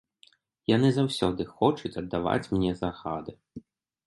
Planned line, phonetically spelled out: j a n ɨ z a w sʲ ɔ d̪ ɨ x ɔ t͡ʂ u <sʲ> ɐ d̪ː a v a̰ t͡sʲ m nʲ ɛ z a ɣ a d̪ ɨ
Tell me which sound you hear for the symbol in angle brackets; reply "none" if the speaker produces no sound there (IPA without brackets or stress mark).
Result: t͡sʲ